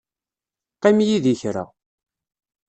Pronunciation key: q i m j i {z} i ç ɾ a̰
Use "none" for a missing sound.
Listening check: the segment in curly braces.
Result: ð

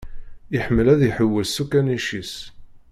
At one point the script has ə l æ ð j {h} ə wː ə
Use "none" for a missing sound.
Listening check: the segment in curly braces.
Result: ħ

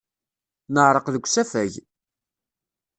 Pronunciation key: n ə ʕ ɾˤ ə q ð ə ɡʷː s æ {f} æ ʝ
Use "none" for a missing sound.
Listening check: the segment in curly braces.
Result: f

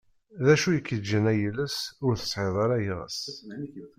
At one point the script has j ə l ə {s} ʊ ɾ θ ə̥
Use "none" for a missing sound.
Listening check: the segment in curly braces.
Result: s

